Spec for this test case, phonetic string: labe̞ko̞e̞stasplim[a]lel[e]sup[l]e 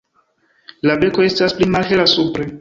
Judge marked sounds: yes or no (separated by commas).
yes, no, no